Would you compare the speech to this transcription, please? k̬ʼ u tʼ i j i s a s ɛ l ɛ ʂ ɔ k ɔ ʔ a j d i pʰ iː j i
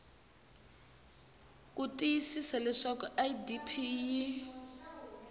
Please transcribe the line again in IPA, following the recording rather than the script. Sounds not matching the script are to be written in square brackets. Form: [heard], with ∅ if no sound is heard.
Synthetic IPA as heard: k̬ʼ u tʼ i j i s [i] s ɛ l ɛ ʂ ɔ k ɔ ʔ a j d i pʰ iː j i